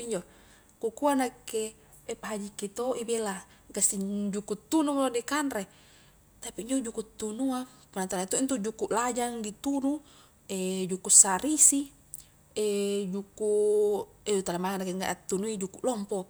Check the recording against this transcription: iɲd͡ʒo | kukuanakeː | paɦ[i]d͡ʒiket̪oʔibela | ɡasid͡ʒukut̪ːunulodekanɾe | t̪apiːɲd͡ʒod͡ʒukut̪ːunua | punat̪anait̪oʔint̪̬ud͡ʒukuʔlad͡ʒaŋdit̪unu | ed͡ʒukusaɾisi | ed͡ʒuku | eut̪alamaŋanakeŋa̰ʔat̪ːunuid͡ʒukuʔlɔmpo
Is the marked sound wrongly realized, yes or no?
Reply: yes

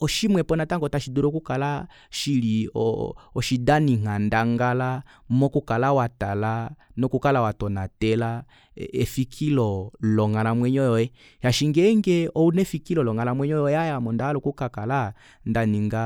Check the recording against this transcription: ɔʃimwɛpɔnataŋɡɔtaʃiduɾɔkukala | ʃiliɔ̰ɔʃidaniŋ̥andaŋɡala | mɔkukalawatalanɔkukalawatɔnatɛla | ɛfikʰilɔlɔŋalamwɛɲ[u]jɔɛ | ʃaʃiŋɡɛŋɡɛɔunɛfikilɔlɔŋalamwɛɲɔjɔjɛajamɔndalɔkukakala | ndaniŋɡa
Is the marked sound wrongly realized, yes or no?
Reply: yes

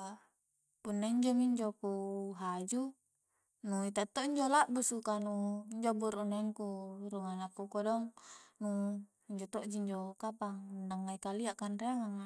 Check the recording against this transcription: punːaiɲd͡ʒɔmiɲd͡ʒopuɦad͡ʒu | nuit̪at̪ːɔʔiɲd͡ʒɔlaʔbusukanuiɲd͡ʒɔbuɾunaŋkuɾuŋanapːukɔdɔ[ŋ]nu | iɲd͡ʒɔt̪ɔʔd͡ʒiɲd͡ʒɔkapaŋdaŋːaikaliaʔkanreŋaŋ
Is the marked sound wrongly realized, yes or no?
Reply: no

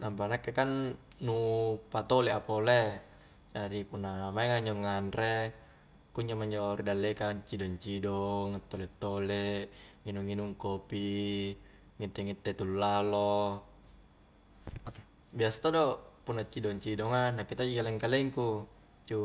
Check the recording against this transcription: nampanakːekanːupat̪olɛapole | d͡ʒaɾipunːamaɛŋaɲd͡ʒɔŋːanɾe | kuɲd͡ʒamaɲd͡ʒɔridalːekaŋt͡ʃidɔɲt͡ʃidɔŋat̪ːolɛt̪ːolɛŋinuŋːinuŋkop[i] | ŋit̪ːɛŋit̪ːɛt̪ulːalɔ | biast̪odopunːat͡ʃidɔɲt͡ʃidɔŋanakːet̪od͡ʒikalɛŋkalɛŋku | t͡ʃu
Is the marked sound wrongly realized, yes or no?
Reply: no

